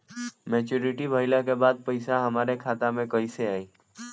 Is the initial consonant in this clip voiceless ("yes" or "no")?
no